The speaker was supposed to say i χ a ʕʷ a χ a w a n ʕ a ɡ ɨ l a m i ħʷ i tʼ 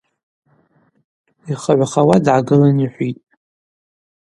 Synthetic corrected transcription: i χ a ʕʷ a χ a w a d ʕ a ɡ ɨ l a n i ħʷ i tʼ